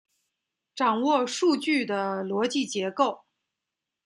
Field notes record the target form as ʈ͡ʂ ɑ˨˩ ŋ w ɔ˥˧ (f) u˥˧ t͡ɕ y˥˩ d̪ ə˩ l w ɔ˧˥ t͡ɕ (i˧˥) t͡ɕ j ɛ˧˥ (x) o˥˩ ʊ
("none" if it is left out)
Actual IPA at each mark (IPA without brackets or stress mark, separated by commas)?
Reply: ʂ, i˥˩, k